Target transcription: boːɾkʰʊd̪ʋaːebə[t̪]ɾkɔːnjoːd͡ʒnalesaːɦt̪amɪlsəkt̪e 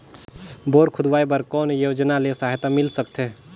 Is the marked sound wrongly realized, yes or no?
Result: yes